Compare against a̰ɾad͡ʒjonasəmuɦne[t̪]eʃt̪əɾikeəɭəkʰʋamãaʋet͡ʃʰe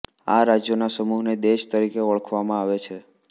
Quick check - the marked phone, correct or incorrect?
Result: incorrect